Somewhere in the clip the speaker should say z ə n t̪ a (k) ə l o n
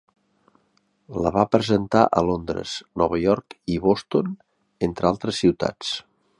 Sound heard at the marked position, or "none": ʔ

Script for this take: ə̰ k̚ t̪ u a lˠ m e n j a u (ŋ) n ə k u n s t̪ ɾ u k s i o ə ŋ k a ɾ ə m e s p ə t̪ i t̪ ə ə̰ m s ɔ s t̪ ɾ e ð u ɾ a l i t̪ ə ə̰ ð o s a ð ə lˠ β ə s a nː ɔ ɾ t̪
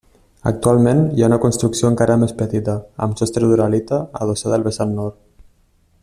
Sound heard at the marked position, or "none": none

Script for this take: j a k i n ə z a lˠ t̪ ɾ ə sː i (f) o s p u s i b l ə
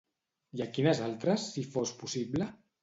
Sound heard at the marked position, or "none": f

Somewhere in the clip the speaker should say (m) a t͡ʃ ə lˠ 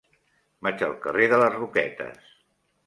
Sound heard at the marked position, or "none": m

